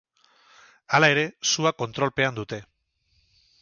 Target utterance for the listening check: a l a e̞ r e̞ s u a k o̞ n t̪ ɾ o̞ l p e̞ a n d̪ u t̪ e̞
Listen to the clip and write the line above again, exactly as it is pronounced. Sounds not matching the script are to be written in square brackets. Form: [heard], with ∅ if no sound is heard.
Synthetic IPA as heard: a l a e̞ [ɾ] e̞ s u a k o̞ n t̪ ɾ o̞ l p e̞ a n d̪ u t̪ e̞

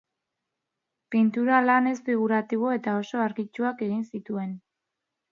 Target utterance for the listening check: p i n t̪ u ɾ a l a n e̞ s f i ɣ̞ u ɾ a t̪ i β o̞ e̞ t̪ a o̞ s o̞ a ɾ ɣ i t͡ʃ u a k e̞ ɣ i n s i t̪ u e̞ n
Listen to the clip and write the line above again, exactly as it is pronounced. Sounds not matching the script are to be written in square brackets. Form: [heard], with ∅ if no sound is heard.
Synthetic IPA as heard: p i n t̪ u ɾ a l a n e̞ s f i ɣ̞ u ɾ a t̪ i β o̞ e̞ t̪ a o̞ s o̞ a ɾ ɣ i t͡ʃ u a k e̞ ɣ i n s i t̪ u e̞ n

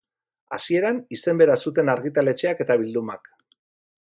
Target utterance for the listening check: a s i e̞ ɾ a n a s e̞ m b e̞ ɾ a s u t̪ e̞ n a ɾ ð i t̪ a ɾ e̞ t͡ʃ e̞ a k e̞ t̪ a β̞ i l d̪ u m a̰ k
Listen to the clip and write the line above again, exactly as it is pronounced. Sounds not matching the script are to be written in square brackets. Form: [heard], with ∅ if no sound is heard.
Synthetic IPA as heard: a s i e̞ ɾ a n [i] s e̞ m b e̞ ɾ a s u t̪ e̞ n a ɾ [ɣ] i t̪ a [l] e̞ t͡ʃ e̞ a k e̞ t̪ a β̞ i l d̪ u m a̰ k

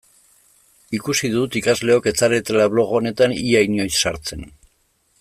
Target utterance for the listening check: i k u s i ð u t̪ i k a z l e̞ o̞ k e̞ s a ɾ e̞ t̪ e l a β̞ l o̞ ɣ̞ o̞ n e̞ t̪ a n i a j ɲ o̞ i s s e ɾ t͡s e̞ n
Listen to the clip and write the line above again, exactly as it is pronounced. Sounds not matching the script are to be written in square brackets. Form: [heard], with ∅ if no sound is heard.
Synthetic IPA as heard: i k u s i ð u t̪ i k a z l e̞ o̞ k e̞ [t͡s] a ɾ e̞ t̪ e l a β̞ l o̞ ɣ̞ o̞ n e̞ t̪ a n i a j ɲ o̞ [j] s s [a] ɾ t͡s e̞ n

